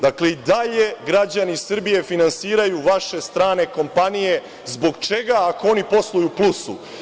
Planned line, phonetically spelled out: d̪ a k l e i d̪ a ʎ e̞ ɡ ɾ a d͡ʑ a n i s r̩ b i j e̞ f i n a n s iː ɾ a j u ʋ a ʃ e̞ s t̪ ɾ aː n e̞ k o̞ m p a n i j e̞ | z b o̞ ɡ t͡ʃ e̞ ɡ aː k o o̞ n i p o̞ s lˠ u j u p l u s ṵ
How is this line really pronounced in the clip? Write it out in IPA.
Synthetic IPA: d̪ a k l e i d̪ a ʎ e̞ ɡ ɾ a d͡ʑ a n i s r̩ b i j e̞ f i n a n s iː ɾ a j u ʋ a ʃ e̞ s t̪ ɾ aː n e̞ k o̞ m p a n i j e̞ | z b o̞ ɡ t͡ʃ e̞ ɡ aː k o o̞ n i p o̞ s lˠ u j u p l u s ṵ